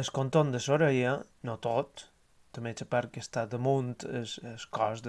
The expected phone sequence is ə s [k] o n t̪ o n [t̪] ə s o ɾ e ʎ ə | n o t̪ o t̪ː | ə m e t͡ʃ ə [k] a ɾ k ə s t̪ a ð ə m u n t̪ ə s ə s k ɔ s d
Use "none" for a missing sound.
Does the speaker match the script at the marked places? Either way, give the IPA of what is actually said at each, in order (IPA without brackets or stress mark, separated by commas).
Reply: k, d̪, p